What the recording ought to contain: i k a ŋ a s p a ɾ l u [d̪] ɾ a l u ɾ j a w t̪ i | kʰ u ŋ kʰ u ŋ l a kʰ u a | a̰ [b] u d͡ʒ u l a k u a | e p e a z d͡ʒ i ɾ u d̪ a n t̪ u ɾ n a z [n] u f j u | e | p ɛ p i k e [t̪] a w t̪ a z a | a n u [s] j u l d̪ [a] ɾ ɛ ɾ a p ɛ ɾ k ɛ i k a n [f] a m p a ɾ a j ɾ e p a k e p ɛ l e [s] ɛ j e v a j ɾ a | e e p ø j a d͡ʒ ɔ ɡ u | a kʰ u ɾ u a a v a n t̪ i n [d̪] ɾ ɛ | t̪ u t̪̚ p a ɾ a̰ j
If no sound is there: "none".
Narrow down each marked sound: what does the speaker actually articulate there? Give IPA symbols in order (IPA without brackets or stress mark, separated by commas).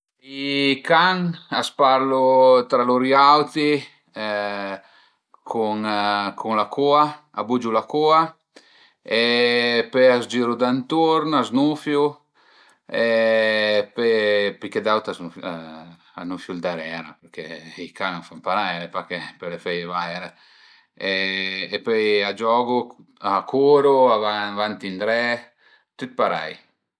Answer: t̪, b, n, d̪, f, a, f, f, d̪